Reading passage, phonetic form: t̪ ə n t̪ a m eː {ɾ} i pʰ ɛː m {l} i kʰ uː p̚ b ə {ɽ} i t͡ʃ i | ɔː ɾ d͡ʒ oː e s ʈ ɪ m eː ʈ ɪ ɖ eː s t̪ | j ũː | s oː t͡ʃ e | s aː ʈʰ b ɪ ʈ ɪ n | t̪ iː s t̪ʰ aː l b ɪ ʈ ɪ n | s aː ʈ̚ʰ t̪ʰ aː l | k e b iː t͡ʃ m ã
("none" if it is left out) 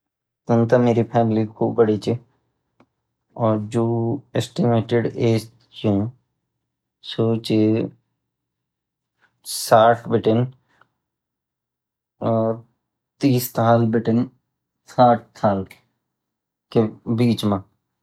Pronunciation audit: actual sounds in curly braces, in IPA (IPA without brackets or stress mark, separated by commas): ɾ, l, ɽ